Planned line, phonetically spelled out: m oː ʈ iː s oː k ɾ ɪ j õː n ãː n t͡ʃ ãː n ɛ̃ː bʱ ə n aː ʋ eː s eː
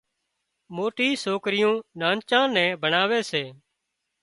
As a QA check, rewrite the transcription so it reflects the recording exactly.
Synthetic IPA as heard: m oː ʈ iː s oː k ɾ ɪ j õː n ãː n t͡ʃ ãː n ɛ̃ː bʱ ə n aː ʋ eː s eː